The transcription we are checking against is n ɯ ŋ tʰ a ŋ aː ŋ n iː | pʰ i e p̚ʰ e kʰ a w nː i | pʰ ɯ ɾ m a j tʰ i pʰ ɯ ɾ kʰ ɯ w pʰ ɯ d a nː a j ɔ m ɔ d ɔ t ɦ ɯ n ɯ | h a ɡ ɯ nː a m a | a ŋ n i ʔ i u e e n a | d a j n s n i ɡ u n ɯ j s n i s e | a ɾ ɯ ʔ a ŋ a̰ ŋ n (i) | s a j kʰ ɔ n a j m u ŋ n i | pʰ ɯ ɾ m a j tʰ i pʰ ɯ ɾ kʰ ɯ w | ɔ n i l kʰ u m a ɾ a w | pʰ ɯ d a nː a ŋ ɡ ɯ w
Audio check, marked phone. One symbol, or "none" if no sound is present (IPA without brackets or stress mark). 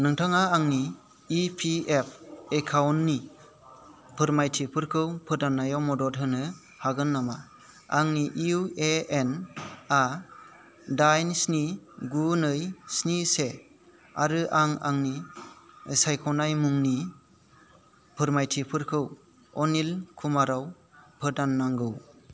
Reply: i